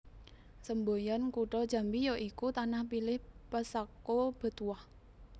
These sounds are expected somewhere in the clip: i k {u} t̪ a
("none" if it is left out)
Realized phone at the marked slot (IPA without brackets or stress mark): u